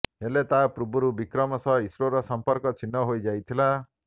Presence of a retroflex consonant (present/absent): absent